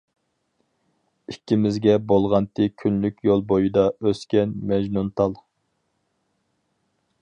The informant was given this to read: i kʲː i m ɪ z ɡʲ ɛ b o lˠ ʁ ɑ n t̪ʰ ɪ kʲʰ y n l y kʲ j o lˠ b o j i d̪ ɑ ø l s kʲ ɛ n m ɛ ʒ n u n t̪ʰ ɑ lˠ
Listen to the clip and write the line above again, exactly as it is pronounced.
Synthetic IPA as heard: i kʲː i m ɪ z ɡʲ ɛ b o lˠ ʁ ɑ n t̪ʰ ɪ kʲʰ y n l y kʲ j o lˠ b o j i d̪ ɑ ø s kʲ ɛ n m ɛ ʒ n u n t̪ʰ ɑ lˠ